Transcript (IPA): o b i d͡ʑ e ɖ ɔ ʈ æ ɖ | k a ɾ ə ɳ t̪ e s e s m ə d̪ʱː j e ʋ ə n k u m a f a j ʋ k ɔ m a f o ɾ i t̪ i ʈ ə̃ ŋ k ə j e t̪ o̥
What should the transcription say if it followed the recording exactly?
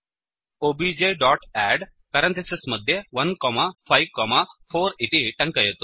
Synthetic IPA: o b i d͡ʑ e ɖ ɔ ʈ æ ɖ | k a ɾ ə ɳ t̪ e s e s m ə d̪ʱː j e ʋ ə n k ɔ m a f a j ʋ k ɔ m a f o ɾ i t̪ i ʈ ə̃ ŋ k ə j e t̪ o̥